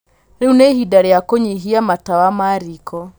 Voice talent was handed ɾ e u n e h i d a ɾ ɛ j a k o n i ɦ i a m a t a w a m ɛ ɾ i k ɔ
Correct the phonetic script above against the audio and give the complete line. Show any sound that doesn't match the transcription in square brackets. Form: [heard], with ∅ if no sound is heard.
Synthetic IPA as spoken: ɾ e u n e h i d a ɾ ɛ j a k o [ɲ] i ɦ i a m a t a w a m [a] ɾ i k ɔ